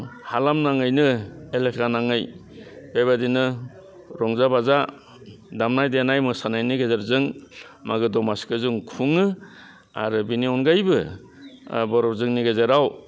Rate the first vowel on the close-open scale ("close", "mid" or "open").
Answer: open